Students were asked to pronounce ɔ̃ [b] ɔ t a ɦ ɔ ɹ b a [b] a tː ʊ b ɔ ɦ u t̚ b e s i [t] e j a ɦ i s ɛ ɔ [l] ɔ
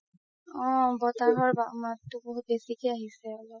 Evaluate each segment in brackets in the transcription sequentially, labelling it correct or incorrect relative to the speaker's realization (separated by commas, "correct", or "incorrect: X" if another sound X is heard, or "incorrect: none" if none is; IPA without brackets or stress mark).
correct, incorrect: m, incorrect: k, correct